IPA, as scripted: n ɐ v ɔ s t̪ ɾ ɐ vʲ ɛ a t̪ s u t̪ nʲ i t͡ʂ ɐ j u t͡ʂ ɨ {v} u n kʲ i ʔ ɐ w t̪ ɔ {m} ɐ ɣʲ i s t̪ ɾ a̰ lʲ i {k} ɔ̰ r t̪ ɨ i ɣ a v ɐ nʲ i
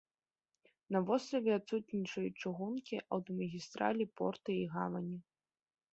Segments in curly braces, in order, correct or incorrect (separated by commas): incorrect, correct, incorrect